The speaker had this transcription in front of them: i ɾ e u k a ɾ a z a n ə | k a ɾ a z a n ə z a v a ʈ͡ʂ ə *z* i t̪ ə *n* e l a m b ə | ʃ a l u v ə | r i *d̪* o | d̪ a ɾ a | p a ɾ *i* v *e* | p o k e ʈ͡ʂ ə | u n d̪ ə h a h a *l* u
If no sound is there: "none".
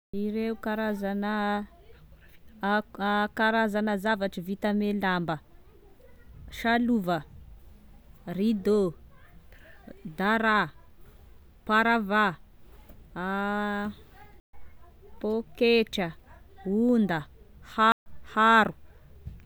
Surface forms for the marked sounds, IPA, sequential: v, m, d̪, a, a, ɾ

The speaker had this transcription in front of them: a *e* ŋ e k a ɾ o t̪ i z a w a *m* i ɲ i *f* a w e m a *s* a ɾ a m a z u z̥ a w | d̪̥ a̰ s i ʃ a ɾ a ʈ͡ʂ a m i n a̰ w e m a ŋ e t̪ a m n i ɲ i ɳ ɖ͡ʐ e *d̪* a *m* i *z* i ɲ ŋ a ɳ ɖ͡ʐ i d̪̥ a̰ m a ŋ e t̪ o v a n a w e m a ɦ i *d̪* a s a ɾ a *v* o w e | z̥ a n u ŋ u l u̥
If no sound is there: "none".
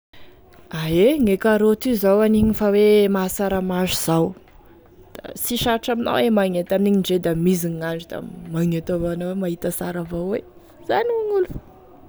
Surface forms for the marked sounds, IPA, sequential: e, n, f, s, d̪, m, z, t̪, v

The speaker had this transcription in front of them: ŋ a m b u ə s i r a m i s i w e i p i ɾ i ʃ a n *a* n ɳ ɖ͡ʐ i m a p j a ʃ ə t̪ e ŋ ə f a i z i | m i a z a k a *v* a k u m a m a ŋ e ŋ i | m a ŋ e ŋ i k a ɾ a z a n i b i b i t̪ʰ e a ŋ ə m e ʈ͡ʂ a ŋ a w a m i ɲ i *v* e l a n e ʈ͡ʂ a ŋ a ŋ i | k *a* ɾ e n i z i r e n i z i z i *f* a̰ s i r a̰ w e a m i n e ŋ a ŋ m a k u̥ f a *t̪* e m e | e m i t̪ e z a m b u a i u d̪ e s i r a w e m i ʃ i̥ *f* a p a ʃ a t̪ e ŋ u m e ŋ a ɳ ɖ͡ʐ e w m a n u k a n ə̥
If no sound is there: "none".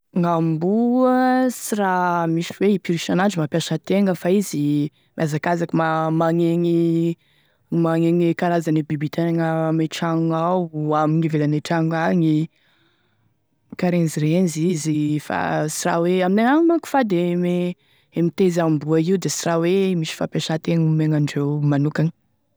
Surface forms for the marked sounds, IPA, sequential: a, z, v, a, f, d̪, f

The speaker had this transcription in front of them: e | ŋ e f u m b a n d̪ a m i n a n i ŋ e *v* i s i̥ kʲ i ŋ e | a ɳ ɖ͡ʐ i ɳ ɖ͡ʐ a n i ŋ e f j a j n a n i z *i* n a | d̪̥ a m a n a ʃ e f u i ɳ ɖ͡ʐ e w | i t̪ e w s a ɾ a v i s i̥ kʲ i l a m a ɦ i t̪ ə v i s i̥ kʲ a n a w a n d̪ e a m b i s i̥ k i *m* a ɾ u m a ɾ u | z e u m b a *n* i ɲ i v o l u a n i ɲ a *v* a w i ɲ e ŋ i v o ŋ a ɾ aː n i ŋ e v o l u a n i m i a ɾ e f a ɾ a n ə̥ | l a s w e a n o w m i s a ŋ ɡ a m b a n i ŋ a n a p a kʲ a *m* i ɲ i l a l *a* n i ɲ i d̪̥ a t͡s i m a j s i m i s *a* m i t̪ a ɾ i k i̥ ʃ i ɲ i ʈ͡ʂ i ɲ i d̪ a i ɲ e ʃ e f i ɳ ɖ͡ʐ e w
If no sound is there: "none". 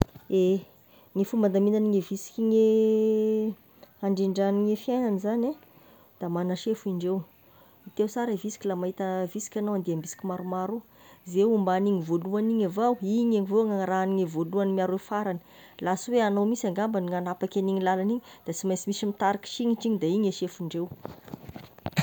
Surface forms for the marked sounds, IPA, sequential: v, a, m, n, v, n, a, i

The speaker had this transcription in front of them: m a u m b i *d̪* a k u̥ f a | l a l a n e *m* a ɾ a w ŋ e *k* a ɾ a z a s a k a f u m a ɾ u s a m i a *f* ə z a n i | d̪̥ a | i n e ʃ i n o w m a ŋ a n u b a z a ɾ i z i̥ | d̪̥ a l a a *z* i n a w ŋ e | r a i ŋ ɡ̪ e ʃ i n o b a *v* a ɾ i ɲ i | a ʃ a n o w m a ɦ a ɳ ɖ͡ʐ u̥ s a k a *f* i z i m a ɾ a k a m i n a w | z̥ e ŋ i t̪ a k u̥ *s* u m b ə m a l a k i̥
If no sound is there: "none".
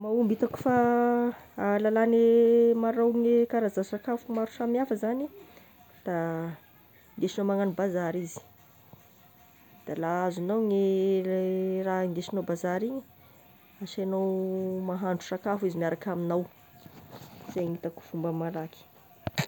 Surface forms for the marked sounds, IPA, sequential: t̪, m, k, f, z, z, f, f

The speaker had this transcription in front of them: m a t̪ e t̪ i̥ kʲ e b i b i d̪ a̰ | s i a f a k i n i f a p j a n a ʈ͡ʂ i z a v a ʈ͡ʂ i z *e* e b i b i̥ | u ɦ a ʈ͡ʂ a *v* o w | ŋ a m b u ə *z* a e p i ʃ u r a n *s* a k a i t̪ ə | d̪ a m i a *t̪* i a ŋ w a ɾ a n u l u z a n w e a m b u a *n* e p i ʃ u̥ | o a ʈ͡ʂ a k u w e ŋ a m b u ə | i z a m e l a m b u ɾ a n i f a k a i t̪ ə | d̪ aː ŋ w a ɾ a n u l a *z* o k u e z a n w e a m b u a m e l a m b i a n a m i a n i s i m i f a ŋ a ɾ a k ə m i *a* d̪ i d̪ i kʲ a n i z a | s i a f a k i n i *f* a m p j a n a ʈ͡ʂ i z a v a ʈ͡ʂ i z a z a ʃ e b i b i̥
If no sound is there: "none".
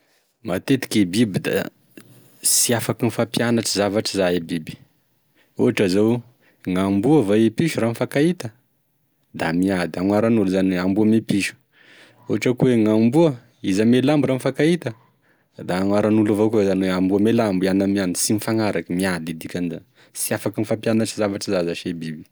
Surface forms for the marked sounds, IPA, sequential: a, z, v, f, d̪, m, v, a, f

